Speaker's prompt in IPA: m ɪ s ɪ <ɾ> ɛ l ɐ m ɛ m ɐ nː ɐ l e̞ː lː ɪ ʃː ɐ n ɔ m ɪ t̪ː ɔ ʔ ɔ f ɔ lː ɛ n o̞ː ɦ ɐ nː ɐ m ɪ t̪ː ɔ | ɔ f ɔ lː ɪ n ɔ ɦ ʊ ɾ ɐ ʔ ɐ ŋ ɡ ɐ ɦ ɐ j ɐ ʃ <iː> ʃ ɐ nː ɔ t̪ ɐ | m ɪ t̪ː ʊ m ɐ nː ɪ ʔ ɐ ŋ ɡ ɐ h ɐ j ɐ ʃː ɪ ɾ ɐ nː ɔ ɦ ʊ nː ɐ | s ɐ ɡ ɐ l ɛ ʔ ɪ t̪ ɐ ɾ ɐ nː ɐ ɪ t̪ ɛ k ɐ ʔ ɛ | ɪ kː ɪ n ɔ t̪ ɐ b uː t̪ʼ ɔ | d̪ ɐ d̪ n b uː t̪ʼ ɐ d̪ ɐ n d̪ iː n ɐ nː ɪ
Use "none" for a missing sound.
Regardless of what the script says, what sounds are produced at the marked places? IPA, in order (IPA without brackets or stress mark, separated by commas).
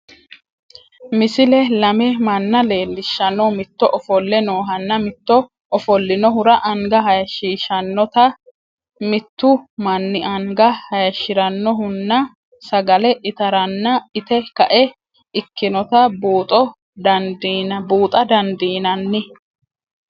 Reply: l, iː